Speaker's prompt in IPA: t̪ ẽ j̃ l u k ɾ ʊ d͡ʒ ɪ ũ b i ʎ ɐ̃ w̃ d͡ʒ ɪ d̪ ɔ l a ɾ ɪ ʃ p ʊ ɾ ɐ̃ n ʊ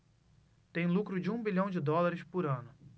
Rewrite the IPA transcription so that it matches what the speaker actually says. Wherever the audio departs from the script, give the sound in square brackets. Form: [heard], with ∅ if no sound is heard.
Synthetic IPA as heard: t̪ ẽ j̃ l u k ɾ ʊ d͡ʒ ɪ ũ b i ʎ ɐ̃ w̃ d͡ʒ ɪ d̪ ɔ l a ɾ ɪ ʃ p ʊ ɾ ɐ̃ n ʊ

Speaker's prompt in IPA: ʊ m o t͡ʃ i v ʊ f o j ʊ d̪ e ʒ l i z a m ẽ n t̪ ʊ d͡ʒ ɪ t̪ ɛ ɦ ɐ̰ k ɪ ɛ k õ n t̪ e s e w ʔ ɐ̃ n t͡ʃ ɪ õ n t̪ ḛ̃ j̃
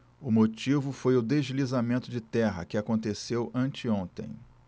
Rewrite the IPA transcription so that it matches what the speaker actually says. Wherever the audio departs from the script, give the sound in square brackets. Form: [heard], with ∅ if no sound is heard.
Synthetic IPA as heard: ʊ m o t͡ʃ i v ʊ f o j ʊ d̪ e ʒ l i z a m ẽ n t̪ ʊ d͡ʒ ɪ t̪ ɛ ɦ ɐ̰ k ɪ [a] k õ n t̪ e s e w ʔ ɐ̃ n t͡ʃ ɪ õ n t̪ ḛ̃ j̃

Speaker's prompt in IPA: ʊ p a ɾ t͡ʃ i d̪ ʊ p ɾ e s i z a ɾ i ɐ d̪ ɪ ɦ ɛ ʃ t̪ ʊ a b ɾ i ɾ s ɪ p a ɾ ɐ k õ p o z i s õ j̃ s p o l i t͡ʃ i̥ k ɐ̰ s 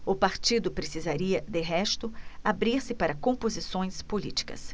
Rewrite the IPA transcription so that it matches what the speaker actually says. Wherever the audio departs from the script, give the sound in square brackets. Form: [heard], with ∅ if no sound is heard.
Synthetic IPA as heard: ʊ p a ɾ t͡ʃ i d̪ ʊ p ɾ e s i z a ɾ i ɐ d̪ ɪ ɦ ɛ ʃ t̪ ʊ a b ɾ i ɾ s ɪ p a ɾ ɐ k õ p o z i s õ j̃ s p o l i t͡ʃ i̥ k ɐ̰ s

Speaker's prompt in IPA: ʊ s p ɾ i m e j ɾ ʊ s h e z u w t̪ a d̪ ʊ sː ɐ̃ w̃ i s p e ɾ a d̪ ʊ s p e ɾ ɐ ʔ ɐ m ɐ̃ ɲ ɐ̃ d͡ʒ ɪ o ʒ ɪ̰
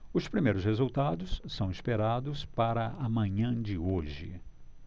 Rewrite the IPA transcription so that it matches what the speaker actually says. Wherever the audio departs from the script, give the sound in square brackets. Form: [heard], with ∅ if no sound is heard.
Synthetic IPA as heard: ʊ s p ɾ i m e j ɾ ʊ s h e z u w t̪ a d̪ ʊ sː ɐ̃ w̃ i s p e ɾ a d̪ ʊ s p [a] ɾ ɐ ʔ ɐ m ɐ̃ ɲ ɐ̃ d͡ʒ ɪ o ʒ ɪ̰

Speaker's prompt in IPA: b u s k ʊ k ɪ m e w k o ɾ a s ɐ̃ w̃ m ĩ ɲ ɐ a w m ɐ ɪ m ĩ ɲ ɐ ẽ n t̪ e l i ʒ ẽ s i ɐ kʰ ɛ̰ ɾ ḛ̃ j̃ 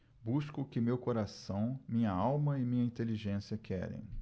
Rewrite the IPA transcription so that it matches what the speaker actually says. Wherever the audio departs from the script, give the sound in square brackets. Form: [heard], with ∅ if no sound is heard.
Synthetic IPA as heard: b u s k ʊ k ɪ m e w k o ɾ a s ɐ̃ w̃ m ĩ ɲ ɐ a w m ɐ ɪ m ĩ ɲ ɐ [ĩ] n t̪ e l i ʒ ẽ s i ɐ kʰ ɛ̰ ɾ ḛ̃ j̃

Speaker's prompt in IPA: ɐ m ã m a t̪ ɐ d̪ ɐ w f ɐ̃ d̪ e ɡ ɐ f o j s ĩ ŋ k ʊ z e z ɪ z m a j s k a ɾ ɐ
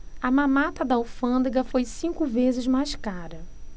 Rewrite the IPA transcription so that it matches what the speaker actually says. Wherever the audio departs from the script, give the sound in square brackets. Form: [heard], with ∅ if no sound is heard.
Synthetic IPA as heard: ɐ m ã m a t̪ ɐ d̪ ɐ w f ɐ̃ d̪ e ɡ ɐ f o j s ĩ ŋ k ʊ [v] e z ɪ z m a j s k a ɾ ɐ

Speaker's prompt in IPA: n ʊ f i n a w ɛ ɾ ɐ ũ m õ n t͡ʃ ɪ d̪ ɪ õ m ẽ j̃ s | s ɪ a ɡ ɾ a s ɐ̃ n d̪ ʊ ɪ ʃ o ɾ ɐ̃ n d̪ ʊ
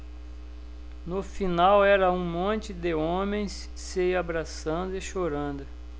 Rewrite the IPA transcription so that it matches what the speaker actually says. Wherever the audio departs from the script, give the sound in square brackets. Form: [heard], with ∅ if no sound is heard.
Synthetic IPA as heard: n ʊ f i n a w ɛ ɾ ɐ ũ m õ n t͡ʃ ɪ d̪ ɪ õ m ẽ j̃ s | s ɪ a [b] ɾ a s ɐ̃ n d̪ ʊ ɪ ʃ o ɾ ɐ̃ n d̪ ʊ

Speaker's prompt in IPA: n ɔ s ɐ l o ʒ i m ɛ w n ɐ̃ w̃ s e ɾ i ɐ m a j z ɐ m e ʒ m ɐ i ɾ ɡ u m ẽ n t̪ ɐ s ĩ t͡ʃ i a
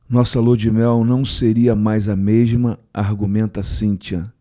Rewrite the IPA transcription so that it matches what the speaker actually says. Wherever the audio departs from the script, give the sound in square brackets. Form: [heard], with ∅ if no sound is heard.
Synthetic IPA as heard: n ɔ s ɐ l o [d͡ʒ] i m ɛ w n ɐ̃ w̃ s e ɾ i ɐ m a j z ɐ m e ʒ m ɐ [a] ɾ ɡ u m ẽ n t̪ ɐ s ĩ t͡ʃ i [ɐ]

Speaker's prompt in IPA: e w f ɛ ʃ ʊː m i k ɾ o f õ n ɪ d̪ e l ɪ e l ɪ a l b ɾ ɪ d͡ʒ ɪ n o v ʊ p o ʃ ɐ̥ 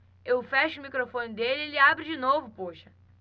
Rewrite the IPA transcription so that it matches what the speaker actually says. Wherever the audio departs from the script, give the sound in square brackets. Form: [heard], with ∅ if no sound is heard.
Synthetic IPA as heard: e w f ɛ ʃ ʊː m i k ɾ o f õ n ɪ d̪ e l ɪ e l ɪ a [∅] b ɾ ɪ d͡ʒ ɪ n o v ʊ p o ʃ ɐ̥

